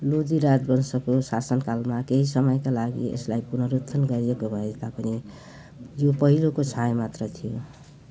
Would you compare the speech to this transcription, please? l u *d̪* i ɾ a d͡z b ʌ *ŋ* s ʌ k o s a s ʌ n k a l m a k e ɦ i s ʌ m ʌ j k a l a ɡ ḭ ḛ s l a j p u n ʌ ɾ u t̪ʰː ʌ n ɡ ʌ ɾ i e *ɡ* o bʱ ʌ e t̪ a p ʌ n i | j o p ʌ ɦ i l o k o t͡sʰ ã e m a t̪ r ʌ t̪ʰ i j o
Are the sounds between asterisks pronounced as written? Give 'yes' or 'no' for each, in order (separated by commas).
yes, no, no